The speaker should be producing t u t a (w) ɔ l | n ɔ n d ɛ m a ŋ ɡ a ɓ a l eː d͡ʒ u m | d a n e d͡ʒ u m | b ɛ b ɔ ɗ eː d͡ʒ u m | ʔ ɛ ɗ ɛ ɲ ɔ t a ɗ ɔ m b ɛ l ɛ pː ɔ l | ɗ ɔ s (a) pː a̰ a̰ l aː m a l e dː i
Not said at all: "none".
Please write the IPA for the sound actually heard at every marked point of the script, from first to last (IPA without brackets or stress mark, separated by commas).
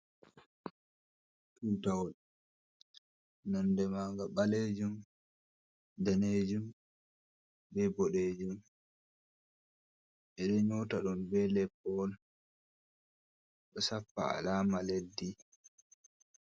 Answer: w, a